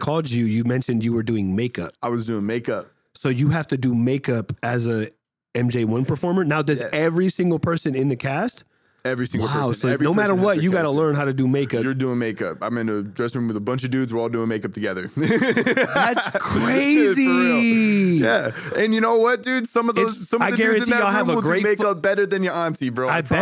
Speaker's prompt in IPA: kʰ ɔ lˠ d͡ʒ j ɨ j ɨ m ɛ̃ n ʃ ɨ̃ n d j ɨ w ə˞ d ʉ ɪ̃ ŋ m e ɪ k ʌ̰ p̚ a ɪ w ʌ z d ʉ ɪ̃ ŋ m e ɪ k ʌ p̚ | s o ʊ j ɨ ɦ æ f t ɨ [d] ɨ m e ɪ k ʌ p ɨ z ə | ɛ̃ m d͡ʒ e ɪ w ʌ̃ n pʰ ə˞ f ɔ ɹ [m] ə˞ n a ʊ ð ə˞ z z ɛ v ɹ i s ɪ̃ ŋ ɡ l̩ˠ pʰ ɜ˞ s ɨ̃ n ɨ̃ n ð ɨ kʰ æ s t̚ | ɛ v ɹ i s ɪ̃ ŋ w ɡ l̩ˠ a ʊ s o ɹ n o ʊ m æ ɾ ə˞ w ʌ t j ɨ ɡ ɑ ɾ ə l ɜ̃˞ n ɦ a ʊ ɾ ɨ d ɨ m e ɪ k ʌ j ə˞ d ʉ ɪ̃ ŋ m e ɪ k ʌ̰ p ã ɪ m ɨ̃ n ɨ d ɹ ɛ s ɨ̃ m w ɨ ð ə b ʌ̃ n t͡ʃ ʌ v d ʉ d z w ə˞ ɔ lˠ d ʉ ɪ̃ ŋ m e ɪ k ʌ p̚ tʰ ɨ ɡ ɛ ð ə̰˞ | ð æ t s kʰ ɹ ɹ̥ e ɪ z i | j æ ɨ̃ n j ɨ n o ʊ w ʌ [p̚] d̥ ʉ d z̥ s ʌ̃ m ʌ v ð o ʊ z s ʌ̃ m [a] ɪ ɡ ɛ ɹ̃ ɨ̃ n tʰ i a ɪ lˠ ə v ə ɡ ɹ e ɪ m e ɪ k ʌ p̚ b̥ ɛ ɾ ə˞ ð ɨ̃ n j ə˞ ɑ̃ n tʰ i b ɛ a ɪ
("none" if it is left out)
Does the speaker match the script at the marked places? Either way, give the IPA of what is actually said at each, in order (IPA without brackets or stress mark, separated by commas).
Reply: d, m, t̚, a